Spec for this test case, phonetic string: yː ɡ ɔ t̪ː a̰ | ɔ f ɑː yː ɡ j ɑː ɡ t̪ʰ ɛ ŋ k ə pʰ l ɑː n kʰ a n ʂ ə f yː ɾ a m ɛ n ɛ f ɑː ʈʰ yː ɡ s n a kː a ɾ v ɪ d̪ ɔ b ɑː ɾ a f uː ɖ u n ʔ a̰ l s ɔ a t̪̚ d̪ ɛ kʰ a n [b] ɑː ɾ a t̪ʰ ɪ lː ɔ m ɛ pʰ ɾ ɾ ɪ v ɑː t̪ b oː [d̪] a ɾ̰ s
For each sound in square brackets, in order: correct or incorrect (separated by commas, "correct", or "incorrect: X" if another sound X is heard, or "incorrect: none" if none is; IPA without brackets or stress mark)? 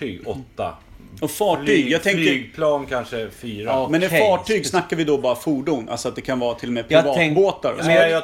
incorrect: v, incorrect: t̪